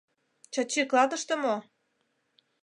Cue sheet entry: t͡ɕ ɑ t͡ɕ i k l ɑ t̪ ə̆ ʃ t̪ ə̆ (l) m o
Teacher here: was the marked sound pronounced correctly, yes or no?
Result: no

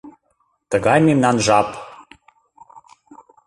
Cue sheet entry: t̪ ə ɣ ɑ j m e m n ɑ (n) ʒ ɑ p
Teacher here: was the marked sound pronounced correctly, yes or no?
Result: yes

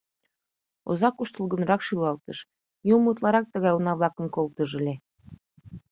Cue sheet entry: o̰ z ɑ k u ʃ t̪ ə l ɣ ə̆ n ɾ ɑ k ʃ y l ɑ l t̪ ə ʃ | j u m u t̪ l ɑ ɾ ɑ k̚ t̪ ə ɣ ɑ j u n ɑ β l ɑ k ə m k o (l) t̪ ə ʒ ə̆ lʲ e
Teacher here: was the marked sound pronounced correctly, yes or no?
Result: yes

